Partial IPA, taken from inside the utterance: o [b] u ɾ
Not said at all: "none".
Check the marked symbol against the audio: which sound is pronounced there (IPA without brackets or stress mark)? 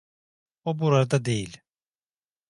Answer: b